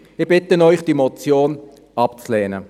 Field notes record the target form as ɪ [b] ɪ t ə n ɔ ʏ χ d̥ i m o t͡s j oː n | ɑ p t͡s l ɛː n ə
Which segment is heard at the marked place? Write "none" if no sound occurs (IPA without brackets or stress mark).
b